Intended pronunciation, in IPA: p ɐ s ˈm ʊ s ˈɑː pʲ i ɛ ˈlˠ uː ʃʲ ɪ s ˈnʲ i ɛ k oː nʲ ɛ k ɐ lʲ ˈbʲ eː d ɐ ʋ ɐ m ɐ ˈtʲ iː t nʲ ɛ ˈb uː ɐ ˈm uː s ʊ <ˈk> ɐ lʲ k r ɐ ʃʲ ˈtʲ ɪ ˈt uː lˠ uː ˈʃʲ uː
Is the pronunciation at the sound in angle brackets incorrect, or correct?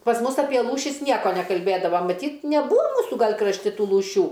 incorrect